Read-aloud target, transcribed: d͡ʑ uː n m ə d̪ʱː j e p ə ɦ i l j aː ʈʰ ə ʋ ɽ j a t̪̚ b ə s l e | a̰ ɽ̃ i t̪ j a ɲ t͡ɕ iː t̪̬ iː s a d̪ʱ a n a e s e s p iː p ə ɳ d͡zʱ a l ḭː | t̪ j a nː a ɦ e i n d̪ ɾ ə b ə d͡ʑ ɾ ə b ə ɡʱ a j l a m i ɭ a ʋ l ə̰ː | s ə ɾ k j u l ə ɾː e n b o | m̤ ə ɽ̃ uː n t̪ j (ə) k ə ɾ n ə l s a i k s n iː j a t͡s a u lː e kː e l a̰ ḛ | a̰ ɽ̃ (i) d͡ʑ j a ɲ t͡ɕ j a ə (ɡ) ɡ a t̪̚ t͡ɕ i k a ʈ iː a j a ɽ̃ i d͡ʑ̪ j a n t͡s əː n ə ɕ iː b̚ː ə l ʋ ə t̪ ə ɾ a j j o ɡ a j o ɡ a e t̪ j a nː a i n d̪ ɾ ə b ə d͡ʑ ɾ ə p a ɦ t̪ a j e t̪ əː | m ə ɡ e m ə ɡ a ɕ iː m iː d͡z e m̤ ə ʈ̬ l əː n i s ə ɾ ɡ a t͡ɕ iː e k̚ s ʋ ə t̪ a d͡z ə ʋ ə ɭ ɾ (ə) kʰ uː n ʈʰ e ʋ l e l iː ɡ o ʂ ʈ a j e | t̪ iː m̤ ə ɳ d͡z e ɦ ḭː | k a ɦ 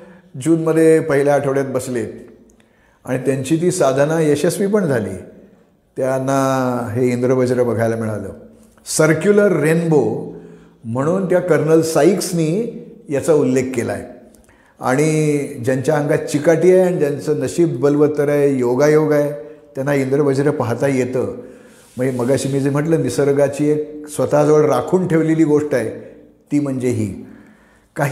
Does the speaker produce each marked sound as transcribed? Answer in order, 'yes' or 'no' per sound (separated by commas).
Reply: no, yes, no, no